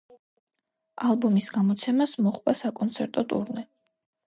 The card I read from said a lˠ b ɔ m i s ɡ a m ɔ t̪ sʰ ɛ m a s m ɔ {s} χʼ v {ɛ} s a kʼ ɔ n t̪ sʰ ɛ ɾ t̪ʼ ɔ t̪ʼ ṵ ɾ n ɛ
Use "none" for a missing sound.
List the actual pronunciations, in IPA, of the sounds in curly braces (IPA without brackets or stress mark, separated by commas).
none, a